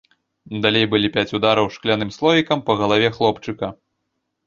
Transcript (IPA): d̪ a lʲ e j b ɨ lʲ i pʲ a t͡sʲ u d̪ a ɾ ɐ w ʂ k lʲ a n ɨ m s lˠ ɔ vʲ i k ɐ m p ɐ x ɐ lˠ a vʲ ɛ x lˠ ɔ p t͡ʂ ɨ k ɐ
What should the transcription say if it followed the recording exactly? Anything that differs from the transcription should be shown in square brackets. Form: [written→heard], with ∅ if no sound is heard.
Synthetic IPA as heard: d̪ a lʲ e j b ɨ lʲ i pʲ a t͡sʲ u d̪ a ɾ ɐ w ʂ k lʲ a n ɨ m s lˠ ɔ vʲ i k ɐ m p ɐ [x→ɣ] ɐ lˠ a vʲ ɛ x lˠ ɔ p t͡ʂ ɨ k ɐ